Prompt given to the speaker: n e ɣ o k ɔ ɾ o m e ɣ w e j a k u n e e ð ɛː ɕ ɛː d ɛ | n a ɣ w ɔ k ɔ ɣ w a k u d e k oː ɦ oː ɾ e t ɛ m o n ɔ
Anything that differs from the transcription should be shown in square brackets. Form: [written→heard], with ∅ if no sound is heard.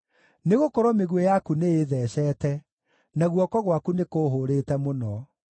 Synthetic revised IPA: n e ɣ o k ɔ ɾ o m e ɣ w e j a k u n e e ð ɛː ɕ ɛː [d→t] ɛ | n a ɣ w ɔ k ɔ ɣ w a k u [d→n] e k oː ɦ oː ɾ e t ɛ m o n ɔ